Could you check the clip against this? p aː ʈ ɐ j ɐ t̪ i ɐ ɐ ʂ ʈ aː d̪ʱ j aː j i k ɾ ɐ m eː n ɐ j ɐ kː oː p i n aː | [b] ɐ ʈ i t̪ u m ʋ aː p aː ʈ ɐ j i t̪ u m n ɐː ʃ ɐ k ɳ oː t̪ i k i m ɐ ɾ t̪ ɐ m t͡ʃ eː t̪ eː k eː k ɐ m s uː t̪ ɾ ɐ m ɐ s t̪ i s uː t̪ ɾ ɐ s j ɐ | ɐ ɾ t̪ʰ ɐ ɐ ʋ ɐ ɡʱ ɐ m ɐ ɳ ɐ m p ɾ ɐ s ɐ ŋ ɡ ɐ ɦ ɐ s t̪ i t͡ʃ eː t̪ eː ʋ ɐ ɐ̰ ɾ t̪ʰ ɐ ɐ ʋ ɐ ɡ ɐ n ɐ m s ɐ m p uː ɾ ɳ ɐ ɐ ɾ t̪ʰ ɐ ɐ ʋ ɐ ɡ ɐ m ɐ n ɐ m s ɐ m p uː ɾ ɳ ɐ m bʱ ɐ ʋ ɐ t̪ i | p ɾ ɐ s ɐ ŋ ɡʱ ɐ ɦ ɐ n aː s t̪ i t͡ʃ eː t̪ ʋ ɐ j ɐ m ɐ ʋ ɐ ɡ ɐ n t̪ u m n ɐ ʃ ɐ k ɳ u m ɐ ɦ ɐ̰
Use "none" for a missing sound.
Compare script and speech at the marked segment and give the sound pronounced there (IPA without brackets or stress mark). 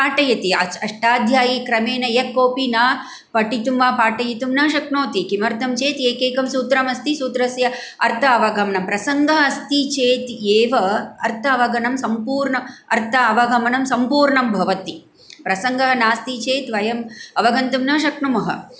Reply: p